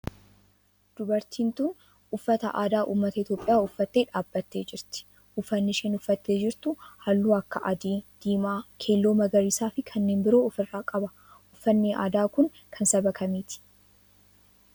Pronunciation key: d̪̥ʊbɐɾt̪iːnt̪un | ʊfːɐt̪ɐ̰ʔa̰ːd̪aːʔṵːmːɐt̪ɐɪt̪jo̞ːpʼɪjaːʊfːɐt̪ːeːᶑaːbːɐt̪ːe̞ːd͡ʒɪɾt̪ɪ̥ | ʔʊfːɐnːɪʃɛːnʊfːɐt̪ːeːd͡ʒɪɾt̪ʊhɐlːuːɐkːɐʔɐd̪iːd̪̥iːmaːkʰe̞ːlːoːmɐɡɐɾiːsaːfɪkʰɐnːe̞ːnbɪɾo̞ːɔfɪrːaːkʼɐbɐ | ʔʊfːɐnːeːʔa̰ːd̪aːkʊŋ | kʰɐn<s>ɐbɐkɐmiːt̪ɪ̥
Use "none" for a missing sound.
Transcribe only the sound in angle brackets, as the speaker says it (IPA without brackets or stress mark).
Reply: s